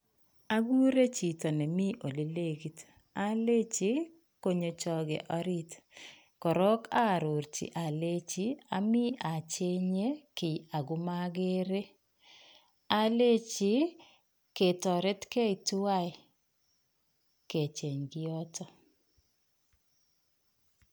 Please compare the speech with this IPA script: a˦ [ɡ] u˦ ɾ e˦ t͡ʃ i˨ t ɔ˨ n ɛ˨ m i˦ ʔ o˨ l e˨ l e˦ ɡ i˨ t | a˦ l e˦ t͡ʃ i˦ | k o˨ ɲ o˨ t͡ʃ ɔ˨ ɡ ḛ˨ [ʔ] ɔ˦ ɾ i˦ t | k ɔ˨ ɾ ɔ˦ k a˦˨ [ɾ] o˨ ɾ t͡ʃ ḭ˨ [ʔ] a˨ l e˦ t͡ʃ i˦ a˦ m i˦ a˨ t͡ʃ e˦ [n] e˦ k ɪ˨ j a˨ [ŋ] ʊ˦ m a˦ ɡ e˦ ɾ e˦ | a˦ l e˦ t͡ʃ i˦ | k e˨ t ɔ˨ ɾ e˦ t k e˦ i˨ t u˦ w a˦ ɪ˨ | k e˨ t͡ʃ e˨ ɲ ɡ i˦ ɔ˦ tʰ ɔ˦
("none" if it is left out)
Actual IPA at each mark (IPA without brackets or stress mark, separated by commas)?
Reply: ɡ, ʔ, ɾ, ʔ, ɲ, ɡ